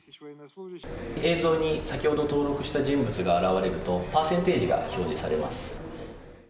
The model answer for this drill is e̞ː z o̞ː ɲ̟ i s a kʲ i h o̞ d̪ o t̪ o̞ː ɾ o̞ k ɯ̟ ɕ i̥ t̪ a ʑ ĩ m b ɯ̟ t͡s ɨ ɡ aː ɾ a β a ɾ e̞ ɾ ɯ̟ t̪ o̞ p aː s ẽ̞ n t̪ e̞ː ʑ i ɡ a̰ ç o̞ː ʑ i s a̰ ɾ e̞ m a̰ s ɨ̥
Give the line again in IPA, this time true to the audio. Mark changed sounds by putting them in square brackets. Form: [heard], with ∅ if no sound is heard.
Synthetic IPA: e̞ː z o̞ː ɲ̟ i s a kʲ i h o̞ d̪ o t̪ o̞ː ɾ o̞ k ɯ̟ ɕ i̥ t̪ a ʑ ĩ m b ɯ̟ t͡s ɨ ɡ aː ɾ a β a ɾ e̞ ɾ ɯ̟ t̪ o̞ p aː s ẽ̞ n t̪ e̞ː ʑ i ɡ a̰ ç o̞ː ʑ i s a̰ ɾ e̞ m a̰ s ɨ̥